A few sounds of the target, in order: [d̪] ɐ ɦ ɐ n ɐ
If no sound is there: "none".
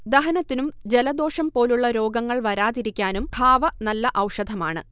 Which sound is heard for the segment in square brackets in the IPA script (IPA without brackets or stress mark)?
d̪